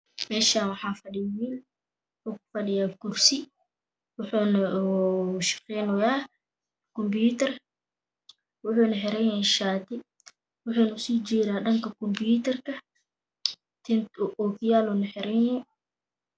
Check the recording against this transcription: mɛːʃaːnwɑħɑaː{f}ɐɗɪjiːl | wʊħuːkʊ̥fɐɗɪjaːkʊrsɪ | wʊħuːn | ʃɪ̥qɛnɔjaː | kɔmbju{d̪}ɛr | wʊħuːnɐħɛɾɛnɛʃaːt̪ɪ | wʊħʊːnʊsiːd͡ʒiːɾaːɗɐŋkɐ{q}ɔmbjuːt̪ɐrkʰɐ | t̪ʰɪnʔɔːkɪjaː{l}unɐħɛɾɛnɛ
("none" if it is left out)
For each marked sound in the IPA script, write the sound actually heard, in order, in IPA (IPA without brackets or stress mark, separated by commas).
f, t̪, k, l